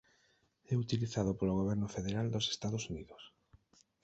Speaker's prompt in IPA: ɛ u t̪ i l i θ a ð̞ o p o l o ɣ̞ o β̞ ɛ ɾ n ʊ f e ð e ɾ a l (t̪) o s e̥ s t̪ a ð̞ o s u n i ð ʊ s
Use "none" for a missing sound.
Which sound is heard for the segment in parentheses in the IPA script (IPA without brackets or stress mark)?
d̪